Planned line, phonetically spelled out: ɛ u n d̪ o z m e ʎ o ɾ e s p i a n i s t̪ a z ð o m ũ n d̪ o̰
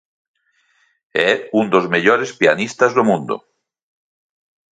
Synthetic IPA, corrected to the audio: ɛ u n d̪ o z m e ʎ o ɾ e s p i a n i s t̪ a z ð o m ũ n d̪ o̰